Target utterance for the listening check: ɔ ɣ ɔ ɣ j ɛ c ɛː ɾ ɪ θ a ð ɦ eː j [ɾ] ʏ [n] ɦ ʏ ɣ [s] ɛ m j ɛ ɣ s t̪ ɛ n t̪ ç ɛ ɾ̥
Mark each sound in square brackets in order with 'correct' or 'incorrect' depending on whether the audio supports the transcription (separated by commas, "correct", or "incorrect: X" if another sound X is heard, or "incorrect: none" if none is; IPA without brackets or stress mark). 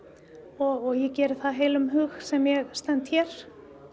incorrect: l, incorrect: m, correct